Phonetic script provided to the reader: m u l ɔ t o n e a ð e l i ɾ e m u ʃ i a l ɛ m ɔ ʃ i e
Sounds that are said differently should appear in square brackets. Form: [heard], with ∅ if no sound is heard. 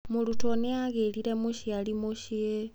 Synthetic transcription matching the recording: m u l [u] t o n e a [ɣ] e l i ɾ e m u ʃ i a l [i] m [u] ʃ i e